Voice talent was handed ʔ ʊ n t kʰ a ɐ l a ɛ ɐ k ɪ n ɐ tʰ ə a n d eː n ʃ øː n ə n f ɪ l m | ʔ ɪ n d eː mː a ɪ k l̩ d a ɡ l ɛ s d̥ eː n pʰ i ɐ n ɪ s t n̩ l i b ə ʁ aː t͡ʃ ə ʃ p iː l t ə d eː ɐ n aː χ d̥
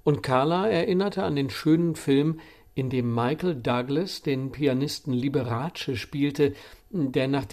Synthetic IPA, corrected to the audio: ʔ ʊ n t kʰ a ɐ l a ɛ ɐ ʔ ɪ n ɐ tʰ ə a n d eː n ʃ øː n ə n f ɪ l m | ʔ ɪ n d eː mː a ɪ k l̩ d a ɡ l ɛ s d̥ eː n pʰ i a n ɪ s t n̩ l i b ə ʁ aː t͡ʃ ə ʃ p iː l t ə d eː ɐ n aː χ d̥